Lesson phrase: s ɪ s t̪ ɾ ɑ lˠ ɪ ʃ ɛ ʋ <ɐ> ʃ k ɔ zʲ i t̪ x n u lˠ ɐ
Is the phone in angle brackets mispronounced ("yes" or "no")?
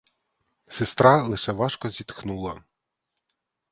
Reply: yes